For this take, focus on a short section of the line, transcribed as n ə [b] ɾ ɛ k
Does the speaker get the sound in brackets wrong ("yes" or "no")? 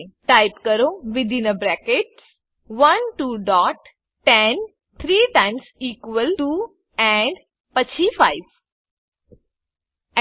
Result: no